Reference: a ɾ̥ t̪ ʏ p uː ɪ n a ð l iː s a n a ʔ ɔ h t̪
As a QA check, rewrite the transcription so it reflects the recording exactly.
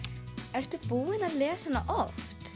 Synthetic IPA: ɛ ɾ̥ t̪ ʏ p uː ɪ n a ð l ɛː s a n a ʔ ɔ f t̪